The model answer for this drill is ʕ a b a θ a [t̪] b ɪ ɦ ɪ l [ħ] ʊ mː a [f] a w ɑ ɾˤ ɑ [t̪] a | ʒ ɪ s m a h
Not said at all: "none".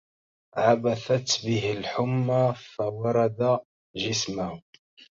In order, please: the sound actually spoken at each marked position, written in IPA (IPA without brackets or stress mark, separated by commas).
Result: t̪, ħ, f, d̪